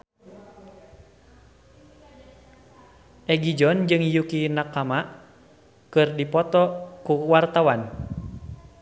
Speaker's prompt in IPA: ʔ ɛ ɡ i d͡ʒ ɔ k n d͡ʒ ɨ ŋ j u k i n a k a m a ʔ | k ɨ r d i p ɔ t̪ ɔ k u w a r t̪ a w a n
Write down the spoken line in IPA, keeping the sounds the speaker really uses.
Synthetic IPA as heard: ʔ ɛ ɡ i d͡ʒ ɔ n d͡ʒ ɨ ŋ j u k i n a k a m a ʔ | k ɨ r d i p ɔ t̪ ɔ k u w a r t̪ a w a n

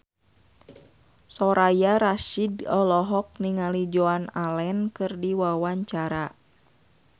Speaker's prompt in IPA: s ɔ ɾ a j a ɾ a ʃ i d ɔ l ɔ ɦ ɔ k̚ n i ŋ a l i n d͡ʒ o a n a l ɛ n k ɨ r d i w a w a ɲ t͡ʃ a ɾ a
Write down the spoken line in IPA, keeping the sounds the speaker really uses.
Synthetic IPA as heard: s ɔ ɾ a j a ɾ a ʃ i d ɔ l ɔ ɦ ɔ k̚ n i ŋ a l i d͡ʒ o a n a l ɛ n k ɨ r d i w a w a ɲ t͡ʃ a ɾ a

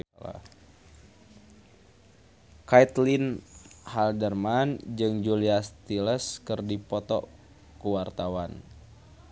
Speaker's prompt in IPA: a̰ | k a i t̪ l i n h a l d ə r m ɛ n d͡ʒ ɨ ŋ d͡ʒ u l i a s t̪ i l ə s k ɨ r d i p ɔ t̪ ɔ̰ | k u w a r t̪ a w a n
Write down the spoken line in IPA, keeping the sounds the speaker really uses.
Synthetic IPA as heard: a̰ | k a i t̪ l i n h a l d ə r m a n d͡ʒ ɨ ŋ d͡ʒ u l i a s t̪ i l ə s k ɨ r d i p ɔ t̪ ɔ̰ | k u w a r t̪ a w a n

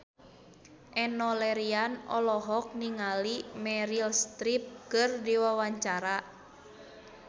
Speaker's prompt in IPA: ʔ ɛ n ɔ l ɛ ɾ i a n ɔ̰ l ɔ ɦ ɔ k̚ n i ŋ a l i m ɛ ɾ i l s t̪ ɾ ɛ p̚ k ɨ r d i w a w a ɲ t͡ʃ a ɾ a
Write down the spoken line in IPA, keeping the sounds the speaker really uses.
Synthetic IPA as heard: ʔ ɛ n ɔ l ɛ ɾ i a n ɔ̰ l ɔ ɦ ɔ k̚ n i ŋ a l i m ɛ ɾ i l s t̪ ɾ i p̚ k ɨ r d i w a w a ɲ t͡ʃ a ɾ a

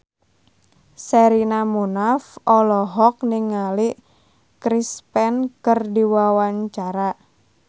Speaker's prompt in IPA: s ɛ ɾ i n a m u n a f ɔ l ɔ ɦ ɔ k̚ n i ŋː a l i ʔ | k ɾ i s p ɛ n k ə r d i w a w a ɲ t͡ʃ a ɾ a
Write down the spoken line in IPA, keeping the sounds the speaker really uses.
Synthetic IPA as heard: s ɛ ɾ i n a m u n a f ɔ l ɔ ɦ ɔ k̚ n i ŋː a l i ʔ | k ɾ i s p ɛ n k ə r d i w a w a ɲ t͡ʃ a ɾ a

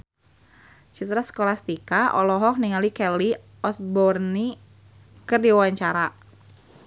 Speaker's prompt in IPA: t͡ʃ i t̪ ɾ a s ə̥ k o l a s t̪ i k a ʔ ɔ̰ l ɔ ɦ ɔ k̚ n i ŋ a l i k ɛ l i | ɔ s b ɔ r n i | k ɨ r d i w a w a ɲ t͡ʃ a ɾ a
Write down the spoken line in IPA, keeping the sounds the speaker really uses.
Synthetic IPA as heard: t͡ʃ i t̪ ɾ a s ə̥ k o l a s t̪ i k a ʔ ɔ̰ l ɔ ɦ ɔ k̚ n i ŋ a l i k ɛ l i | ɔ s b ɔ r n i | k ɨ r d i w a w a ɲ t͡ʃ a ɾ a

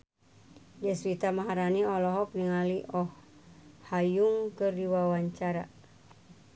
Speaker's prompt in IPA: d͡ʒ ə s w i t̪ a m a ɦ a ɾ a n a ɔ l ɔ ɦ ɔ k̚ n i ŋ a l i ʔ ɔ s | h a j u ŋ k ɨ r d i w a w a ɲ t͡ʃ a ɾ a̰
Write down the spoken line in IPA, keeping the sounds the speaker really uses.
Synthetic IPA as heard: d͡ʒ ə s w i t̪ a m a ɦ a ɾ a n i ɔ l ɔ ɦ ɔ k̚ n i ŋ a l i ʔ ɔ h | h a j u ŋ k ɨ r d i w a w a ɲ t͡ʃ a ɾ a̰

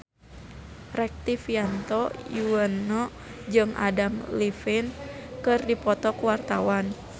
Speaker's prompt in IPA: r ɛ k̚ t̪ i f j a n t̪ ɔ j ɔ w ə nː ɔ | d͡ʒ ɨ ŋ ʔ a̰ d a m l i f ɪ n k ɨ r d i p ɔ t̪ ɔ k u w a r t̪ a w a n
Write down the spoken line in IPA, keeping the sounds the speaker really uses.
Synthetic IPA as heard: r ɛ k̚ t̪ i f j a n t̪ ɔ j u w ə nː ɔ | d͡ʒ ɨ ŋ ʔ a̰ d a m l i f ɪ n k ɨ r d i p ɔ t̪ ɔ k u w a r t̪ a w a n

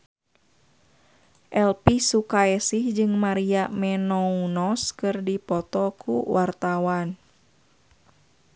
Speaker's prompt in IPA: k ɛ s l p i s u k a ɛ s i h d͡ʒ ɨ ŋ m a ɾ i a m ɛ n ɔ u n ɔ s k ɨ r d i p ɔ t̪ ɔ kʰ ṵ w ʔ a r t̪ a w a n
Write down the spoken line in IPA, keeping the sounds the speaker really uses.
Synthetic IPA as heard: ʔ ɛ l p i s u k a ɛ s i h d͡ʒ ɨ ŋ m a ɾ i a m ɛ n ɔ u n ɔ s k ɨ r d i p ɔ t̪ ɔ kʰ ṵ w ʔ a r t̪ a w a n

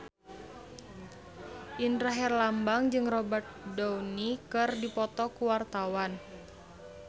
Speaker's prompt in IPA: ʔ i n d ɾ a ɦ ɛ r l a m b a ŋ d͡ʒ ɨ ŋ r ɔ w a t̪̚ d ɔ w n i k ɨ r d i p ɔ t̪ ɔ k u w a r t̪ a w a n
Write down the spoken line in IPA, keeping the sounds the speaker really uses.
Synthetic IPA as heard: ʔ i n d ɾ a ɦ ɛ r l a m b a ŋ d͡ʒ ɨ ŋ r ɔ b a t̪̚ d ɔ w n i k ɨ r d i p ɔ t̪ ɔ k u w a r t̪ a w a n

